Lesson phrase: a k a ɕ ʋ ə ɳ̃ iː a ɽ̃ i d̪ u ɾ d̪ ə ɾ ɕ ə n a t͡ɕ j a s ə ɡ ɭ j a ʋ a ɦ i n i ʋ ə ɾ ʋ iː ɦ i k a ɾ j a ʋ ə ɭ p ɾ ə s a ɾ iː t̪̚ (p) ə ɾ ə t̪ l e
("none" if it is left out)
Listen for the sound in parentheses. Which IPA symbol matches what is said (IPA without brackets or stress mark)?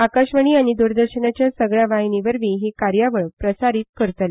k